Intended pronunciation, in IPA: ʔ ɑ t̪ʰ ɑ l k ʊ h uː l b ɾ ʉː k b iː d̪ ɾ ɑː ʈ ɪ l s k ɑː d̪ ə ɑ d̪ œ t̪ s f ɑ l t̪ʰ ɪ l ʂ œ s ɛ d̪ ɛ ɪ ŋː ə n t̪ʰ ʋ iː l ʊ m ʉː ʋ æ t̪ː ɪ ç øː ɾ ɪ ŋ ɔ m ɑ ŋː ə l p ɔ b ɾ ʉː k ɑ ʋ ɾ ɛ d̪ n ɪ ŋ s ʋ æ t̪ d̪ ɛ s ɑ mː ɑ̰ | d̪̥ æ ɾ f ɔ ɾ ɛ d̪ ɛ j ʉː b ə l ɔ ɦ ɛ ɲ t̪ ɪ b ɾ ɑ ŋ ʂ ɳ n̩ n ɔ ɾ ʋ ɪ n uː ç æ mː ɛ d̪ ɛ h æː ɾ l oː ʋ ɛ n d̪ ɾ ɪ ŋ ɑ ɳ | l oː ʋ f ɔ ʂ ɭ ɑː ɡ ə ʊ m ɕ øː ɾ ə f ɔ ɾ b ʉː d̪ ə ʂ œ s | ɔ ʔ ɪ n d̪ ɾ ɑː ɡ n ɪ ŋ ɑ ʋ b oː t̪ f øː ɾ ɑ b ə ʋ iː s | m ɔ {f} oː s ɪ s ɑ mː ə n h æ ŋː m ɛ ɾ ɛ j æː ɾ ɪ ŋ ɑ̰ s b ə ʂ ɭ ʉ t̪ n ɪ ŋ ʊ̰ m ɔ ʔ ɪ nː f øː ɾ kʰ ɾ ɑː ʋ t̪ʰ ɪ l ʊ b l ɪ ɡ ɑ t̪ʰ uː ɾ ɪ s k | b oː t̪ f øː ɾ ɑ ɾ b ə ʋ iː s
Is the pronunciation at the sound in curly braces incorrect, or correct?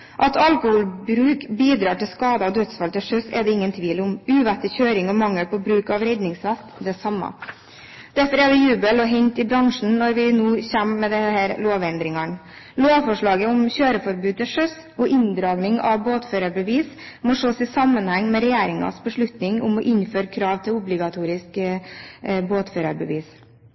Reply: incorrect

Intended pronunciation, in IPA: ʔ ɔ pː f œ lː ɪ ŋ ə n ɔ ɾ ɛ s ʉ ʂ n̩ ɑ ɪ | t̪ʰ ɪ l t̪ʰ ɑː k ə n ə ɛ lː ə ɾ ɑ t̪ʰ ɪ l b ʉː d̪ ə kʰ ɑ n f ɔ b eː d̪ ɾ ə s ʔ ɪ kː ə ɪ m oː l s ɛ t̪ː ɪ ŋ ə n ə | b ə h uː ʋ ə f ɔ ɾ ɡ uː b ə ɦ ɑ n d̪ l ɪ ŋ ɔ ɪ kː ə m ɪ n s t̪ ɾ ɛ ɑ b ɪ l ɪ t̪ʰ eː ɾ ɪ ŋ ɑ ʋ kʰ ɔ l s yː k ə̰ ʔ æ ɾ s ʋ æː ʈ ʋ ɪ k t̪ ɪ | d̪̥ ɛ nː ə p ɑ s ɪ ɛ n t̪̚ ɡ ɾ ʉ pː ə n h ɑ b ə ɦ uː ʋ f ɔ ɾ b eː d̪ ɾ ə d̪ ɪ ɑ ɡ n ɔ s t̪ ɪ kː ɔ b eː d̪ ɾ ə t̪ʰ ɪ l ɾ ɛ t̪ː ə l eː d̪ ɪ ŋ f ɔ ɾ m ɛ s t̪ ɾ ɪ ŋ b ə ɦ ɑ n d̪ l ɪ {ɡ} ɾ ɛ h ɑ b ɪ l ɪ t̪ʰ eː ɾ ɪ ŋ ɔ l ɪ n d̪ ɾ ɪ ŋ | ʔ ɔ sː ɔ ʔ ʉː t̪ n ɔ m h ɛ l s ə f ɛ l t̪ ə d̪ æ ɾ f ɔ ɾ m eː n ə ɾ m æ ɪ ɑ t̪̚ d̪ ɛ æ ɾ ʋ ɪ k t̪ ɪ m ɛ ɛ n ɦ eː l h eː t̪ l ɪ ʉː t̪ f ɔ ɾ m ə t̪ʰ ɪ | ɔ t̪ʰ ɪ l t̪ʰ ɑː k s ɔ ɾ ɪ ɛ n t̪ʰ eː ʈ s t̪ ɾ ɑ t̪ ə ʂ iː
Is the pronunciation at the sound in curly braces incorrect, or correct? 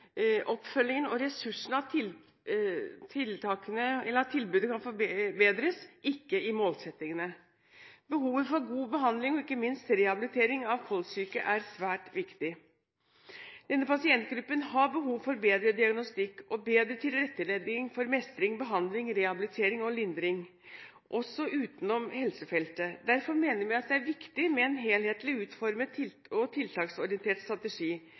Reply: incorrect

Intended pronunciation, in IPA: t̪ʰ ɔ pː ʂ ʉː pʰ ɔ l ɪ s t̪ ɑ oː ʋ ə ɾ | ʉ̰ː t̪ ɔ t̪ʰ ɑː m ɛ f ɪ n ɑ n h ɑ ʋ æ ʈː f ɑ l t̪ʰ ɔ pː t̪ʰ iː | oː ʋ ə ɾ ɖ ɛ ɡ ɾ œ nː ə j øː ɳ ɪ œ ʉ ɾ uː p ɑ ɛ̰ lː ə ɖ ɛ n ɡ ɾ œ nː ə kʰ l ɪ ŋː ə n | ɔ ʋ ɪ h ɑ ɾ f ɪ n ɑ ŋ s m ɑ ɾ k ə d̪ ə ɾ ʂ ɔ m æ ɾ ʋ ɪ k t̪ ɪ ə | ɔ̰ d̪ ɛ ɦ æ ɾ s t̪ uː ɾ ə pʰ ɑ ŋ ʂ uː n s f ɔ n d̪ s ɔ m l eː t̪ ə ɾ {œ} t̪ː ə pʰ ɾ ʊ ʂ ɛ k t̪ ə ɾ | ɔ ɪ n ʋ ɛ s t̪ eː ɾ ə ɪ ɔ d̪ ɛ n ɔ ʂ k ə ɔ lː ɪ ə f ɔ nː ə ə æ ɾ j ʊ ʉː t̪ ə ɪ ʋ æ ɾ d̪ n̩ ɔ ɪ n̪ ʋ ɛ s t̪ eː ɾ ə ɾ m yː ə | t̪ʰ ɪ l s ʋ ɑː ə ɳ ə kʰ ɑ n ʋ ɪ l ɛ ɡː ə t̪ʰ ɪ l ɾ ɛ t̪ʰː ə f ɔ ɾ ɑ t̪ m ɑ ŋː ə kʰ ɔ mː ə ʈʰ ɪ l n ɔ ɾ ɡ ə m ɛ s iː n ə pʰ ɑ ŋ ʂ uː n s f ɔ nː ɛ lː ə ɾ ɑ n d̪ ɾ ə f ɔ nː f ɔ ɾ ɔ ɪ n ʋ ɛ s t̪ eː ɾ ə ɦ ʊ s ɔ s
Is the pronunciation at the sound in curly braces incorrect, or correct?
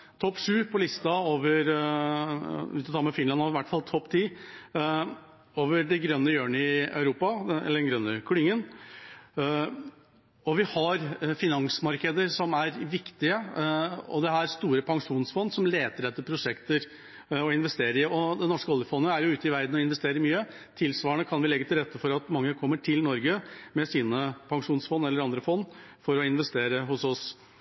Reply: incorrect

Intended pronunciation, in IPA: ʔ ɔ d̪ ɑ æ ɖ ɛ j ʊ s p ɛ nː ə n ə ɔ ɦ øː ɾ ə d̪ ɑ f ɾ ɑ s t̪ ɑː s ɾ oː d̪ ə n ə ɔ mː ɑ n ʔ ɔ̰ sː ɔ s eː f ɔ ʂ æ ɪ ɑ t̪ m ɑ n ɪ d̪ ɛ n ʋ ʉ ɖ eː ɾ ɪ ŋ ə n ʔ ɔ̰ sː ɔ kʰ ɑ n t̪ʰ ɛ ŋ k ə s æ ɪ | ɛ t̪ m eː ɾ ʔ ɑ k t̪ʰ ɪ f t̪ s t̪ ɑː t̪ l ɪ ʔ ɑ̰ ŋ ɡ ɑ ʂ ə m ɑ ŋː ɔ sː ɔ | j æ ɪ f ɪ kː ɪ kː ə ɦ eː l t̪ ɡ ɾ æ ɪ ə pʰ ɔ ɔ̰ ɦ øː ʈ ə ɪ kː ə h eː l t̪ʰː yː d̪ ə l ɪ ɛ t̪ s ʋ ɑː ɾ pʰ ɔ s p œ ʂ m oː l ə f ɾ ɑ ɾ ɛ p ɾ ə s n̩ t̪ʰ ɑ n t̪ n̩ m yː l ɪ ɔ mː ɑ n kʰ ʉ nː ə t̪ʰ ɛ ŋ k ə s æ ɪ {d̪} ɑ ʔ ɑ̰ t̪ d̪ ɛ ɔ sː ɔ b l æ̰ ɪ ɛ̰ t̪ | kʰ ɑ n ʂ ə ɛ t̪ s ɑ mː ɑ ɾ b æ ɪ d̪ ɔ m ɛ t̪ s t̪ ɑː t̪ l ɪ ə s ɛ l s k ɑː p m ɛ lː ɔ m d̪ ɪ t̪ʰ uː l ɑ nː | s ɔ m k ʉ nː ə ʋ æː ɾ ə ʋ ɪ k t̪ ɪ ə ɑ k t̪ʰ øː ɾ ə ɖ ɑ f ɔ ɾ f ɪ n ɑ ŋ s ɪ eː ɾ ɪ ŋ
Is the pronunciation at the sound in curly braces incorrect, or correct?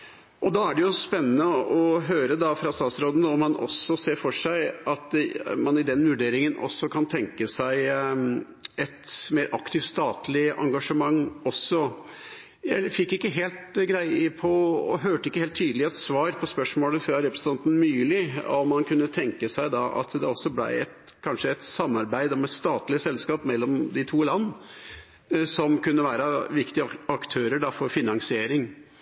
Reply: correct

